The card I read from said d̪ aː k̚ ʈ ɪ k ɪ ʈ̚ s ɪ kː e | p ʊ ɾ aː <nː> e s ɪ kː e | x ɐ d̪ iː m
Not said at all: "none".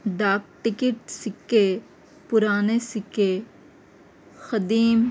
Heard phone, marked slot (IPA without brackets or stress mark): n